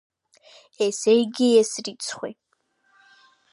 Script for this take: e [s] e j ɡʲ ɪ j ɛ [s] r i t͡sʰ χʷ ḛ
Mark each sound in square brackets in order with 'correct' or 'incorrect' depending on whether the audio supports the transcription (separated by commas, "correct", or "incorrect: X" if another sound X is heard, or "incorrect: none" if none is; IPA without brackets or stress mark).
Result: correct, correct